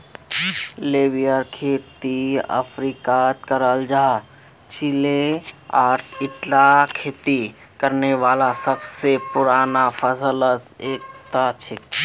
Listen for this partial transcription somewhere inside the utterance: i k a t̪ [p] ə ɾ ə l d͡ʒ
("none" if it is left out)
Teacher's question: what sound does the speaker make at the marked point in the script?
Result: k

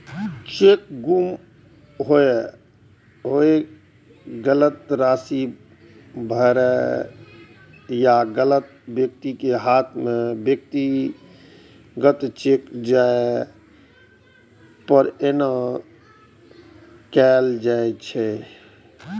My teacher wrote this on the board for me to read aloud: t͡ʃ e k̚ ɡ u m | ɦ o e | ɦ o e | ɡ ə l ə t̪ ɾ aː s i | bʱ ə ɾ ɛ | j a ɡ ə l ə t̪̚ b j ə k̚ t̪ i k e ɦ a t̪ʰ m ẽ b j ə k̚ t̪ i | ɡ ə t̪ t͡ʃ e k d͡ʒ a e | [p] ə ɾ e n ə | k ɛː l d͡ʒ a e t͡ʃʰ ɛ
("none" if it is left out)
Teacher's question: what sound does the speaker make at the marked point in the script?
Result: p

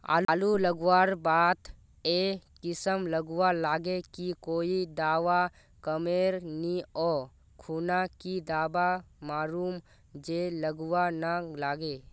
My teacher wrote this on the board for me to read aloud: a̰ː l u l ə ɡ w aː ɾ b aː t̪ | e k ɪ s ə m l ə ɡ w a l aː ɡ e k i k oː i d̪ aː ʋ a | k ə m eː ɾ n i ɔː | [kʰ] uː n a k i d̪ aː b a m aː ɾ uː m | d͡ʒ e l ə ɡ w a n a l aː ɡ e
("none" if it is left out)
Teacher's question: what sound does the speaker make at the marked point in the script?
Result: kʰ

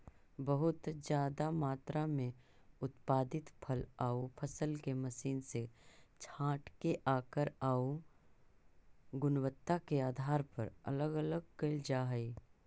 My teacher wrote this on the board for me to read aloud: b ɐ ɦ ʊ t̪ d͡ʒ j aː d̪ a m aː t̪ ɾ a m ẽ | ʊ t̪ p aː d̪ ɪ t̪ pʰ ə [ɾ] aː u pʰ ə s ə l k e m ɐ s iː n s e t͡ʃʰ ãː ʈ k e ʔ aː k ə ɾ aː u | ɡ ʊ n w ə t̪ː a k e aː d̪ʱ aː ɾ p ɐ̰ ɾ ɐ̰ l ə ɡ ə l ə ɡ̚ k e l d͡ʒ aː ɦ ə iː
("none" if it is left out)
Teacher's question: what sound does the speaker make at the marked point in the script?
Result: l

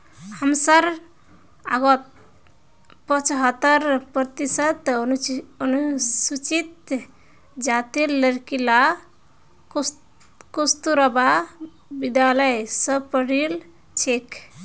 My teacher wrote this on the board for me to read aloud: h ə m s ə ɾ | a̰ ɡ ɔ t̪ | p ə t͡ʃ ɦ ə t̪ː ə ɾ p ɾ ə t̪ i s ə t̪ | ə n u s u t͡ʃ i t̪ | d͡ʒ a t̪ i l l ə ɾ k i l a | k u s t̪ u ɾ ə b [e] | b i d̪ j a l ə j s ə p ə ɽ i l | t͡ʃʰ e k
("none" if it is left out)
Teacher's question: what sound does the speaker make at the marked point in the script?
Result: a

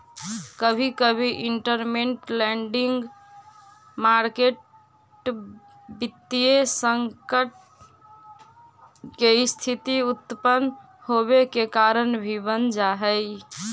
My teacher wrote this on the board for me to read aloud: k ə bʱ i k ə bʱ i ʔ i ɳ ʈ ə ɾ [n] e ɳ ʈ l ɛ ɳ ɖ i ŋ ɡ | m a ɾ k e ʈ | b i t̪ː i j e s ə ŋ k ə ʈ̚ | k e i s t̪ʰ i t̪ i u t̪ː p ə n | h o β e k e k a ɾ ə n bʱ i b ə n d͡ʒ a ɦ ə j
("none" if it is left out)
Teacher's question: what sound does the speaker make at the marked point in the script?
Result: m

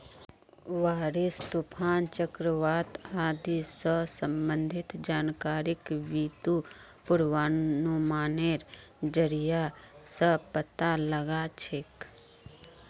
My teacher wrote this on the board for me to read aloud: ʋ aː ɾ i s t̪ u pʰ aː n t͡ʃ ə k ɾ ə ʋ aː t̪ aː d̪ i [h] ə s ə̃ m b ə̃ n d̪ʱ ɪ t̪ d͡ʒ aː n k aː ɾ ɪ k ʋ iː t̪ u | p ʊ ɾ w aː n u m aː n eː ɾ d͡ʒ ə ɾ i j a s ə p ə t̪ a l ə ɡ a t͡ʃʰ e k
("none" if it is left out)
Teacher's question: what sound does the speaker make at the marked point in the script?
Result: s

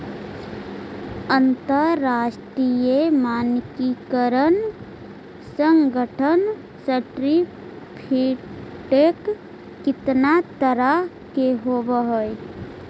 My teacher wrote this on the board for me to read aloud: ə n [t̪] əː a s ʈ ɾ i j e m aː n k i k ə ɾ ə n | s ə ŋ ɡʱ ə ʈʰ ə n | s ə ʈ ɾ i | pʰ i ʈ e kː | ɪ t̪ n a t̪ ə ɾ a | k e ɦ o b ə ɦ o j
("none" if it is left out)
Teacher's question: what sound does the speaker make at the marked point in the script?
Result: t̪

